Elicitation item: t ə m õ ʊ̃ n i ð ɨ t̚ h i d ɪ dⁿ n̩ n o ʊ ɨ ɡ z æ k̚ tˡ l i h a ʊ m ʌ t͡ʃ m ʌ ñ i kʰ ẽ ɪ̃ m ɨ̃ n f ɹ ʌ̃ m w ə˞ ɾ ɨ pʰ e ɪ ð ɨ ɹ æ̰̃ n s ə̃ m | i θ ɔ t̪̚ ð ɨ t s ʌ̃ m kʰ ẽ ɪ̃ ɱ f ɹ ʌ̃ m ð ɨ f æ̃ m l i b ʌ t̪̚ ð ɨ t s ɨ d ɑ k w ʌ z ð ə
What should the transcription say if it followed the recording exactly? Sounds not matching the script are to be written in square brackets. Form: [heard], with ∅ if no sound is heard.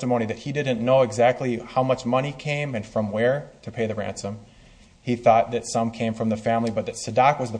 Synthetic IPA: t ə m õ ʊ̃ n i ð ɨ t̚ h i d ɪ dⁿ n̩ n o ʊ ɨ ɡ z æ k̚ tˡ l i h a ʊ m ʌ t͡ʃ m ʌ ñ i kʰ ẽ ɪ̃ m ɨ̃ n f ɹ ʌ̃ m w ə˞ ɾ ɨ pʰ e ɪ ð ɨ ɹ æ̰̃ n s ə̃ m | i θ ɔ t̪̚ ð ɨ t s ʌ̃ m kʰ ẽ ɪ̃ ɱ f ɹ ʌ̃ m ð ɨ f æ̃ m l i b ʌ t̪̚ ð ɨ t s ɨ d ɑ k w ʌ z ð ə